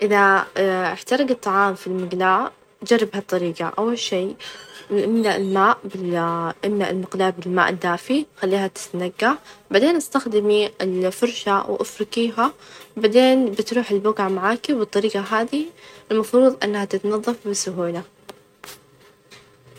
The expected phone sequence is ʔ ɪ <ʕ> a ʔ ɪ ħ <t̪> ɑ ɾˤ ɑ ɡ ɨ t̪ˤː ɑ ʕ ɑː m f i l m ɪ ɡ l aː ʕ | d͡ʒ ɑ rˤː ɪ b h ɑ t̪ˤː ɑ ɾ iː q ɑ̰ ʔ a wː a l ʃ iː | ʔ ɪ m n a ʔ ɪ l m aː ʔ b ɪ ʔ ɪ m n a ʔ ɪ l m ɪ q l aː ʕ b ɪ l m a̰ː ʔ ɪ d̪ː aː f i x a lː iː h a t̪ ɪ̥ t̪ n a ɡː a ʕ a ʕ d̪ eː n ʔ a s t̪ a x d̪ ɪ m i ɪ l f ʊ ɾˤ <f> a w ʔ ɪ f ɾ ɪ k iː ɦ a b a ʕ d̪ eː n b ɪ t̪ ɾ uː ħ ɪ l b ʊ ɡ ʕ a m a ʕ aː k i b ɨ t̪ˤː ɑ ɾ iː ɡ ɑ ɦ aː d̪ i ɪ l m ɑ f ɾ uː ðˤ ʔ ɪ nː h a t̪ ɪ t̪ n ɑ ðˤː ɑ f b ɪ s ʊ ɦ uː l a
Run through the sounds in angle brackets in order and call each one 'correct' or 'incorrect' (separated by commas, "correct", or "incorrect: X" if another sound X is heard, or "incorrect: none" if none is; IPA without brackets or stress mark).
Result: incorrect: ð, correct, incorrect: ʃ